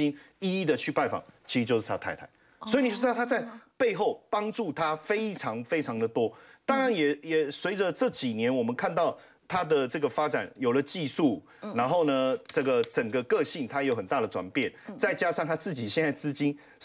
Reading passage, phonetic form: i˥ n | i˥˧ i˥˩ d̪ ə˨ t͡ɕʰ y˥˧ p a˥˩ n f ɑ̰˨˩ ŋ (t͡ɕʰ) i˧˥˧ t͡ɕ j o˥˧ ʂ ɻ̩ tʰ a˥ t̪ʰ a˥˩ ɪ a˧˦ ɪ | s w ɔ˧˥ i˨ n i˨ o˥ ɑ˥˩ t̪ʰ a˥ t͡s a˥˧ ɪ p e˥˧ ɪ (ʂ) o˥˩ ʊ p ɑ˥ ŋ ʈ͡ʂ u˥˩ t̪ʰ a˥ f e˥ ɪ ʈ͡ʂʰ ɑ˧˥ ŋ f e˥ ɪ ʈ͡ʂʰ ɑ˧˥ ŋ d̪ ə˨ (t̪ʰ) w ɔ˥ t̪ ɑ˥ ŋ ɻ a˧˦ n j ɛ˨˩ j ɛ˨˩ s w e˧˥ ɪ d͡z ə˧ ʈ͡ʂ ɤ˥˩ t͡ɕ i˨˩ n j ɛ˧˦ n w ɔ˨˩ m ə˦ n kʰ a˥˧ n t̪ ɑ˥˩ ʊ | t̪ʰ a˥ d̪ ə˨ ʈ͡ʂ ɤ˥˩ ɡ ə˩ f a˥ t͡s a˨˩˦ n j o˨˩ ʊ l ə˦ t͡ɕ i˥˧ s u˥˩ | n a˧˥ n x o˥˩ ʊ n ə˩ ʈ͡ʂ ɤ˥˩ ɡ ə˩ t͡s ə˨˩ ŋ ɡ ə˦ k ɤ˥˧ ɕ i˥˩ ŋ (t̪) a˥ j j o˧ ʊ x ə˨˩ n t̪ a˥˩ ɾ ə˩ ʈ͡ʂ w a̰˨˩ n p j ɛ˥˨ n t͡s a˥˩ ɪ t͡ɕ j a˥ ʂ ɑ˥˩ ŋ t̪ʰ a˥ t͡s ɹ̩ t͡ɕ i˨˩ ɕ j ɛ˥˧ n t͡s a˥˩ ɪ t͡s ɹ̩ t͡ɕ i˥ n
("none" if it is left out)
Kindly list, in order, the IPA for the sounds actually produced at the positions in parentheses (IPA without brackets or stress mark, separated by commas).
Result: t͡ɕʰ, x, t̪, t̪ʰ